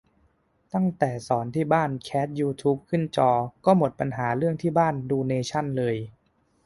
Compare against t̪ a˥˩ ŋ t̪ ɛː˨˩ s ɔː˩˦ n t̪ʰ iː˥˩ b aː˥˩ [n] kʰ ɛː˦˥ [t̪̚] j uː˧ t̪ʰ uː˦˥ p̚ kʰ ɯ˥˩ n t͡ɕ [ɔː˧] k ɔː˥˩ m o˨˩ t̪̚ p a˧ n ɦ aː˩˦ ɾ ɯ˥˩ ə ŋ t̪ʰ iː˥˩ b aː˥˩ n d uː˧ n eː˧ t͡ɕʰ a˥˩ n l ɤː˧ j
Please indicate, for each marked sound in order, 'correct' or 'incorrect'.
correct, correct, correct

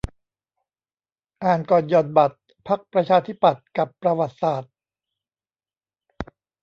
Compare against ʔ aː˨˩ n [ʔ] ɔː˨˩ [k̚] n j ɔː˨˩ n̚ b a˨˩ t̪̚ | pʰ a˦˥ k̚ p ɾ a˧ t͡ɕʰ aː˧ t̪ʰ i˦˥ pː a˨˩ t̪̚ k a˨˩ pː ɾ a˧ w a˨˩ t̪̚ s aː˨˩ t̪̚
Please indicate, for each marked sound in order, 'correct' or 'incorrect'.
incorrect, incorrect

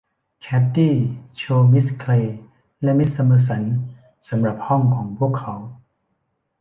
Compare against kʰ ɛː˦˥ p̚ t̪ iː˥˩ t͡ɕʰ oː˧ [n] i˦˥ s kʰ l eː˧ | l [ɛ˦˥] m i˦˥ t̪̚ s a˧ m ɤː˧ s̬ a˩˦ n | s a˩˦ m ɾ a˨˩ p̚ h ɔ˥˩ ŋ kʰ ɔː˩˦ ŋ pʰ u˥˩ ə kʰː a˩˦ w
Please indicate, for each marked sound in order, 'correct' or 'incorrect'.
incorrect, correct

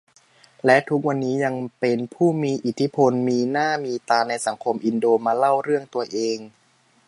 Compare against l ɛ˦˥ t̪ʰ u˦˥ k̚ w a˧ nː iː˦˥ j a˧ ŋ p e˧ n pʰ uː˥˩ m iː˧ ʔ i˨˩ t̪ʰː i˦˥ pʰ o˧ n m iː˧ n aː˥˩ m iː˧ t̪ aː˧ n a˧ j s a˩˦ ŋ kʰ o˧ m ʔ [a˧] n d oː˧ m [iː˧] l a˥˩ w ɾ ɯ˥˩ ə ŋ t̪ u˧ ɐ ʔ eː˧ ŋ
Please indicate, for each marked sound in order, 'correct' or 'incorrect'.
incorrect, incorrect

